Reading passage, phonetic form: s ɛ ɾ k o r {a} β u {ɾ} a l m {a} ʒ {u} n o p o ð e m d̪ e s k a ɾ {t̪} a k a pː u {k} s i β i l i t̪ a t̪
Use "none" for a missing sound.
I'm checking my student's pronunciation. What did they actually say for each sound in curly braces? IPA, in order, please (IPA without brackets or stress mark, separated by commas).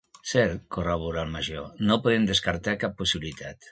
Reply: a, ɾ, a, o, t̪, none